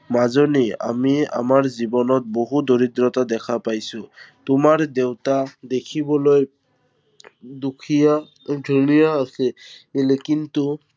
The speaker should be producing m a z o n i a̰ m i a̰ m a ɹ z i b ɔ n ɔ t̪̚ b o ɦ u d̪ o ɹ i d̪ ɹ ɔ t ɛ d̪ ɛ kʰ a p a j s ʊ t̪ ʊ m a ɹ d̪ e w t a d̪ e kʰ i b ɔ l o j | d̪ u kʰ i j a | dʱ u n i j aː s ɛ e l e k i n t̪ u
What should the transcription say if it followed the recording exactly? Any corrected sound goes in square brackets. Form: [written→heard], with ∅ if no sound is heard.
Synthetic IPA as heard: m a z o n i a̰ m i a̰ m a ɹ z i b ɔ n ɔ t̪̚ b o ɦ u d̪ o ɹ i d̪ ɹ ɔ t [ɛ→a] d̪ ɛ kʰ a p a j s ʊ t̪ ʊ m a ɹ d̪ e w t a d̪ e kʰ i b ɔ l o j | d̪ u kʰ i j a | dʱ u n i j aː s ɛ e l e k i n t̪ u